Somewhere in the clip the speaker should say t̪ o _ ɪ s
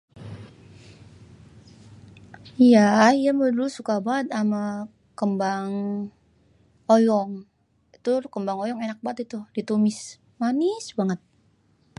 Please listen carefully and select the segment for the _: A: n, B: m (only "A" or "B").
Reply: B